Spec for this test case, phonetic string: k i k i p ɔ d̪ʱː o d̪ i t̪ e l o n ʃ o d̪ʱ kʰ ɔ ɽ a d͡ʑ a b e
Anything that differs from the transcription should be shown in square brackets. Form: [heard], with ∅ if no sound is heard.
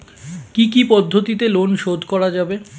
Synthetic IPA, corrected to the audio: k i k i p ɔ d̪ʱː o [t̪] i t̪ e l o n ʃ o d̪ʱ [k] ɔ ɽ a d͡ʑ a b e